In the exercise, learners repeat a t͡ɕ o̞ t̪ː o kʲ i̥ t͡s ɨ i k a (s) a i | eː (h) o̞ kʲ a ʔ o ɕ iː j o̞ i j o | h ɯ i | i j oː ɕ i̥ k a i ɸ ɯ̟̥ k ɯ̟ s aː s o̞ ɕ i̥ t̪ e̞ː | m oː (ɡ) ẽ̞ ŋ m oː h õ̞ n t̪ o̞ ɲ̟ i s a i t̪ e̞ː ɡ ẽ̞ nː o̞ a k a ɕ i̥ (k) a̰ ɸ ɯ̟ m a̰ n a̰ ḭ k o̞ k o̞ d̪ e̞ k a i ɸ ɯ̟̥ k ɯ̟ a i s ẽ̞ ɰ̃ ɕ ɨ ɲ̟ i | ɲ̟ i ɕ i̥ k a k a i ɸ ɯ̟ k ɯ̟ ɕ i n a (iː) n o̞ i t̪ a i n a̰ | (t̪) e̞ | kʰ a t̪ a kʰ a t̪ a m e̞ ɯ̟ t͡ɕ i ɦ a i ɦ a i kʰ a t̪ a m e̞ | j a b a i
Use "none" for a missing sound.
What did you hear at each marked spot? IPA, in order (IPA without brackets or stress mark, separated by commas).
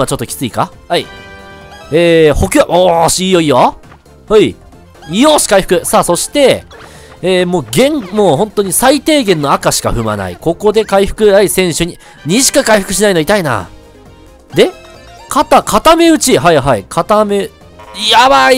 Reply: h, h, ɡ, k, i, d̪